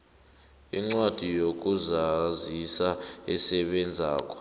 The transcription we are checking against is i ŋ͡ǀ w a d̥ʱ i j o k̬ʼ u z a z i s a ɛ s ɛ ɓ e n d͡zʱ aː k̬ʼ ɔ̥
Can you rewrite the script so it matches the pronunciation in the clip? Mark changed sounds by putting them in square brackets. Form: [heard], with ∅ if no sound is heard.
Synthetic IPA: i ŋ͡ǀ w a d̥ʱ i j o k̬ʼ u z a z i s a ɛ s ɛ ɓ [ɛ] n d͡zʱ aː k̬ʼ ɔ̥